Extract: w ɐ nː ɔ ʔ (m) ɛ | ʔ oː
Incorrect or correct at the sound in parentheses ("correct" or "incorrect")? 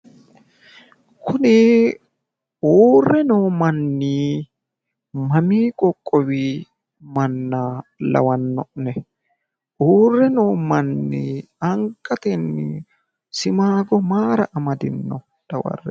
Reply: incorrect